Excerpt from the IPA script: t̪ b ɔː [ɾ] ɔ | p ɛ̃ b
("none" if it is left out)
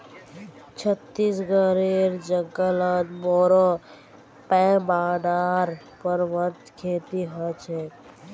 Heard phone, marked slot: ɾ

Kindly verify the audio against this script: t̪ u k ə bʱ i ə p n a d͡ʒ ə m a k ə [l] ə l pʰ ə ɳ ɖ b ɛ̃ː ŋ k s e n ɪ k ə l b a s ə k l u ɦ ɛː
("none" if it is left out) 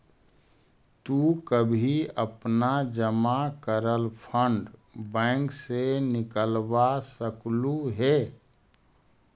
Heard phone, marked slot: ɾ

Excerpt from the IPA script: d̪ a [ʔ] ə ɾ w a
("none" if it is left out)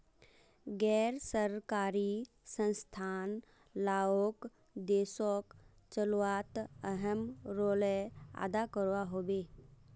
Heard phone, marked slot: k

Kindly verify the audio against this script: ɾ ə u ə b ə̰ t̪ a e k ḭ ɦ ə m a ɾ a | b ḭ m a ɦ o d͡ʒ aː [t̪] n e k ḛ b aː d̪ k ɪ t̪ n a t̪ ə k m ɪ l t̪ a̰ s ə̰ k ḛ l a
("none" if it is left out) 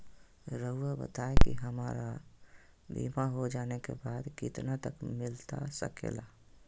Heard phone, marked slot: none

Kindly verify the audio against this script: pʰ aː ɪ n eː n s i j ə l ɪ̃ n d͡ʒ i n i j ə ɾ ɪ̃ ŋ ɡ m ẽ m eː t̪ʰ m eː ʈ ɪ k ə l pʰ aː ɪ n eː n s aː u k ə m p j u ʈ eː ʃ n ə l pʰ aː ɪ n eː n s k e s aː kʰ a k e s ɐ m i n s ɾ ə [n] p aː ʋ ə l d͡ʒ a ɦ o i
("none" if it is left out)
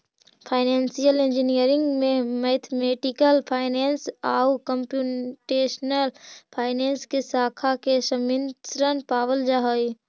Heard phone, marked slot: n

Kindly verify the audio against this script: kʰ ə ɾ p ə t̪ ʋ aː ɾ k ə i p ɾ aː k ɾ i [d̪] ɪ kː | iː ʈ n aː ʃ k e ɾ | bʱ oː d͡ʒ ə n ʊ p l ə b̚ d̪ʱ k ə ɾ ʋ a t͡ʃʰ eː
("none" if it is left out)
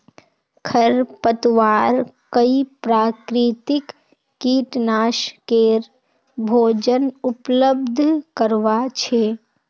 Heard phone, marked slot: t̪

